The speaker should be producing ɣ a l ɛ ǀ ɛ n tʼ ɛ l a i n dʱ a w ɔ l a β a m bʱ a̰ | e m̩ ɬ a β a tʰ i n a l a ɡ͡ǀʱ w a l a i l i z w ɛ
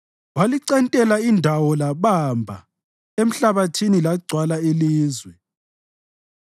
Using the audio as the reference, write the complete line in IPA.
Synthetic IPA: w a l i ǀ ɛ n tʼ ɛ l a i n dʱ a w ɔ l a β a m bʱ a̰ | e m̩ ɬ a β a tʰ i n i l a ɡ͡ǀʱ w a l a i l iː z w ɛ

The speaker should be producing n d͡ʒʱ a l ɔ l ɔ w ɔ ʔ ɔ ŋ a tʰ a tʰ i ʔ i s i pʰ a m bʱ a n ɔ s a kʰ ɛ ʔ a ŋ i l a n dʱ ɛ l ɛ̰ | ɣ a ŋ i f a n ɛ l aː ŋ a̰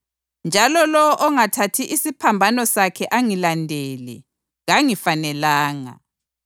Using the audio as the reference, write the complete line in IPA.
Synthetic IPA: n d͡ʒʱ a l ɔ l ɔ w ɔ ʔ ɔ ŋ a tʰ a tʰ i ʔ i s i pʰ a m bʱ a n ɔ s a kʰ ɛ ʔ a ŋ i l a n dʱ ɛ l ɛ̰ | ɣ a ŋ i f a n ɛ l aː ŋ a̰

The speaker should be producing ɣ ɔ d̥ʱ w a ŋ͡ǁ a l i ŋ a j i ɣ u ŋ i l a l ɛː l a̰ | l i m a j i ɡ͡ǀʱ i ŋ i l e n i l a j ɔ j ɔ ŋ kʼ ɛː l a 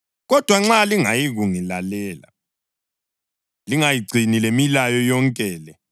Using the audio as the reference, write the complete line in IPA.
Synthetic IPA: ɣ ɔ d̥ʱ w a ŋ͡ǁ a l i ŋ a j i ɣ u ŋ i l a l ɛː l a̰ | l i ŋ a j i ɡ͡ǀʱ i n i l e m i l a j ɔ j ɔ ŋ kʼ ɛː l ɛ

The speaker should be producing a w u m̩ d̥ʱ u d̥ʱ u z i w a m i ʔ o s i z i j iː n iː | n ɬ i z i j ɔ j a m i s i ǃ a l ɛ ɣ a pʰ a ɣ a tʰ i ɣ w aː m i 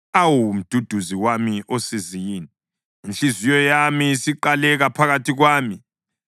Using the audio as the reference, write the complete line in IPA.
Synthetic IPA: a w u m̩ d̥ʱ u d̥ʱ u z i w a m i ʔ o s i z i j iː n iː | n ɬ i z i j ɔ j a m i s i ǃ a l ɛ ɣ a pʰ a ɣ a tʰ i ɣ w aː m i

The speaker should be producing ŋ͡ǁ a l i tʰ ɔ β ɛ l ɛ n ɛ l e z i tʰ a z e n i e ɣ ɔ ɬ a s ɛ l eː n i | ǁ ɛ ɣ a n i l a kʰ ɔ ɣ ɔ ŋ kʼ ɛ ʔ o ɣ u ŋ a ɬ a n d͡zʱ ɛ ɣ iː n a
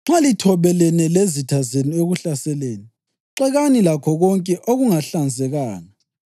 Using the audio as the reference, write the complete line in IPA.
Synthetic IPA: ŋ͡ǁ a l i tʰ ɔ β ɛ l ɛ n ɛ l e z i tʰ a z e n i e ɣ u ɬ a s ɛ l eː n i | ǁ ɛ ɣ a n i l a kʰ ɔ ɣ ɔ ŋ kʼ ɛ ʔ o ɣ u ŋ a ɬ a n d͡zʱ ɛ ɣ aː n a

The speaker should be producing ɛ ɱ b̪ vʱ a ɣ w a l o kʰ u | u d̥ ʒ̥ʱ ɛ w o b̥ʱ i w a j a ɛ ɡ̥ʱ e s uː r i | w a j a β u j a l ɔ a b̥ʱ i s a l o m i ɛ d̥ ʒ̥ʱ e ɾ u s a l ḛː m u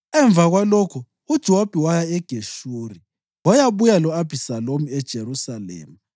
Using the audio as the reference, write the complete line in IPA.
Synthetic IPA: ɛ ɱ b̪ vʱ a ɣ w a l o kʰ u | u d̥ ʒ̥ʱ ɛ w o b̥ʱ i w a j a ɛ ɡ̥ʱ e ʃ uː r i | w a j a β u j a l ɔ a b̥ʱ i s a l o m i ɛ d̥ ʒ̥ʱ e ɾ u s a l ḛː m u

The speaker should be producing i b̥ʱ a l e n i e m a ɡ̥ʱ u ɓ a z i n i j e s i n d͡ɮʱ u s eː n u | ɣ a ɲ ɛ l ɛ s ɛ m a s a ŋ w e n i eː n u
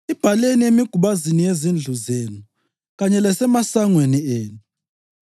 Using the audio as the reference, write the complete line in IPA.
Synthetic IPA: i b̥ʱ a l e n i e m i ɡ̥ʱ u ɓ a z i n i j e z i n d͡ɮʱ u z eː n u | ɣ a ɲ ɛ l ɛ s ɛ m a s a ŋ w e n i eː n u

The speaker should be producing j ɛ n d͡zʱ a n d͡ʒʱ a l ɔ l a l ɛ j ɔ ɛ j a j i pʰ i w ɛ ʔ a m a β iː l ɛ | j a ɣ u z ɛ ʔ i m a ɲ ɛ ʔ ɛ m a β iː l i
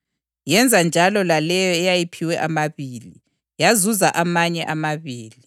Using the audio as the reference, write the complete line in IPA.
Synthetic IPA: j ɛ n d͡zʱ a n d͡ʒʱ a l ɔ l a l ɛ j ɔ ɛ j a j i pʰ i w ɛ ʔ a m a β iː l i | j a z u z a ʔ a m a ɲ ɛ ʔ a m a β iː l i

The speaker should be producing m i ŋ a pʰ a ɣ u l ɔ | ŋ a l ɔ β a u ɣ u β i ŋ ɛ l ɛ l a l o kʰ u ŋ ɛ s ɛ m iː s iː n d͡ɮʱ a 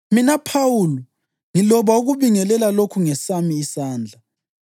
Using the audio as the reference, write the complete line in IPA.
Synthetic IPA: m i n a pʰ a w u l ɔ | ŋ i l ɔ β a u ɣ u β i ŋ ɛ l ɛ l a l o kʰ u ŋ ɛ s a m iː s aː n d͡ɮʱ a

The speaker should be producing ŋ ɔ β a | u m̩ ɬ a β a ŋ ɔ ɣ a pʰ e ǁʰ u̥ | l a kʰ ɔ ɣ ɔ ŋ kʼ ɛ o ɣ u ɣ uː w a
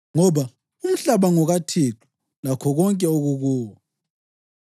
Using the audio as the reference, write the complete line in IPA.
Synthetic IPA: ŋ ɔ β a | u m̩ ɬ a β a ŋ ɔ ɣ a tʰ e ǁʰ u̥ | l a kʰ ɔ ɣ ɔ ŋ kʼ ɛ o ɣ u ɣ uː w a

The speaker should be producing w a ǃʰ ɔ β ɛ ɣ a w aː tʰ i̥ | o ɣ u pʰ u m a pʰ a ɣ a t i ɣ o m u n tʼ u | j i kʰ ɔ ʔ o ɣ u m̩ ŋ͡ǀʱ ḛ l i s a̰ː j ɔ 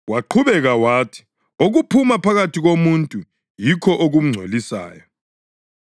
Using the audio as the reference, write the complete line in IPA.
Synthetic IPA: w a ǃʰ u β ɛ ɣ a w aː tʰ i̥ | o ɣ u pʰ u m a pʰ a ɣ a t i ɣ o m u n tʼ u | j i kʰ ɔ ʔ o ɣ u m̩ ŋ͡ǀʱ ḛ l i s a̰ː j ɔ

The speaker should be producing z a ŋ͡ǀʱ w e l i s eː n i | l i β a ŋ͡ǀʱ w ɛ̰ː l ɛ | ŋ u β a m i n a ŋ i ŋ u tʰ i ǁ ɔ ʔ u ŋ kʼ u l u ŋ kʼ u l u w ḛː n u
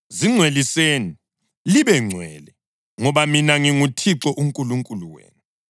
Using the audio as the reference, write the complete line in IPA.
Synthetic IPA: z i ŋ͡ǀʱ w e l i s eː n i | l i β ɛ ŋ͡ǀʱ w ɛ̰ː l ɛ | ŋ ɔ β a m i n a ŋ i ŋ u tʰ i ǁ ɔ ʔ u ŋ kʼ u l u ŋ kʼ u l u w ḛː n u

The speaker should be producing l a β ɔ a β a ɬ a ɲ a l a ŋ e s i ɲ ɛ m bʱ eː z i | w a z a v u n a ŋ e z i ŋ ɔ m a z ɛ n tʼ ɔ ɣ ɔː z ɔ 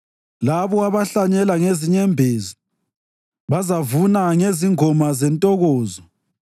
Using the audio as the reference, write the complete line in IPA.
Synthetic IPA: l a β ɔ a β a ɬ a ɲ ɛ l a ŋ e z i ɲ ɛ m bʱ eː z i | β a z a v u n a ŋ e z i ŋ ɔ m a z ɛ n tʼ ɔ ɣ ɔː z ɔ

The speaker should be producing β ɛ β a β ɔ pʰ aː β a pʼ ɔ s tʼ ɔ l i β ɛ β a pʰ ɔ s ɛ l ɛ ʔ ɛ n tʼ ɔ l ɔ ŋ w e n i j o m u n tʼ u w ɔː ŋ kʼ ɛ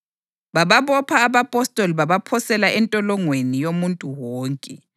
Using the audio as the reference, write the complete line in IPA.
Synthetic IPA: β a β a β ɔ pʰ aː β a pʼ ɔ s tʼ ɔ l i β a β a pʰ ɔ s ɛ l a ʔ ɛ n tʼ ɔ l ɔ ŋ w e n i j o m u n tʼ u w ɔː ŋ kʼ ɛ

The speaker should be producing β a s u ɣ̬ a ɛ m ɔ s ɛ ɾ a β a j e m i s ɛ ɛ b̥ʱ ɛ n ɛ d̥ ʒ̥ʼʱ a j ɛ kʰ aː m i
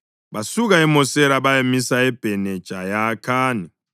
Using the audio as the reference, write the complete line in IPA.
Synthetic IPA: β a s u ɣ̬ a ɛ m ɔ s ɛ ɾ a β a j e m i s a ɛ b̥ʱ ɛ n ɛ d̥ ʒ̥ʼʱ a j a kʰ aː n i

